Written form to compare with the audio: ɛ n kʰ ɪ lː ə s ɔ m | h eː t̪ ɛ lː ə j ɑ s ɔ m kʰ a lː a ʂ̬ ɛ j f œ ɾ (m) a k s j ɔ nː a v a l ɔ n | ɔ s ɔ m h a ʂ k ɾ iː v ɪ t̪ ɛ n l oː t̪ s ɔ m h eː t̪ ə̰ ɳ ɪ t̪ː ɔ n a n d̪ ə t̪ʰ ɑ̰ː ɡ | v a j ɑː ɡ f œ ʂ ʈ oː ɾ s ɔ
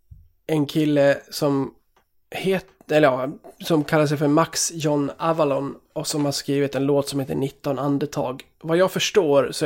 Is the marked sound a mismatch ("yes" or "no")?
no